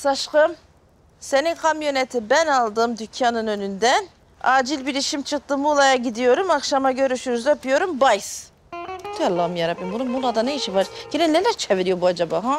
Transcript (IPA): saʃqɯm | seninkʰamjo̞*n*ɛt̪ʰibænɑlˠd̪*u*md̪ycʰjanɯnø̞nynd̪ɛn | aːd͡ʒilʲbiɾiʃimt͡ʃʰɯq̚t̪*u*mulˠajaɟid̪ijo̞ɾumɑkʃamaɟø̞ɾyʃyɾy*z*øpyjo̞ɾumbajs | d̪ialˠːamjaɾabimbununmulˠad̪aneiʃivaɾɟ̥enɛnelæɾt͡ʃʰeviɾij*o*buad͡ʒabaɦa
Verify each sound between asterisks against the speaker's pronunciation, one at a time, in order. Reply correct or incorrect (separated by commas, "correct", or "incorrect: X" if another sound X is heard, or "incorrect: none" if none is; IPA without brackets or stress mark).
correct, incorrect: ɯ, incorrect: ɯ, correct, correct